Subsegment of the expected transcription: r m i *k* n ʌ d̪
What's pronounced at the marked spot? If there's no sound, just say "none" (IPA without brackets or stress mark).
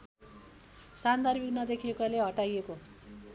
k